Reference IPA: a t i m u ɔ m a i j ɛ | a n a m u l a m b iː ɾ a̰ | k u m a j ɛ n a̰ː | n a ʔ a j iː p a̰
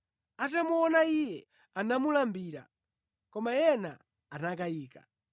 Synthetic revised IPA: a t a m u ɔ n a i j ɛ | a n a m u l a m b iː ɾ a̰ | k ɔ m a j ɛ n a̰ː | n a k a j iː k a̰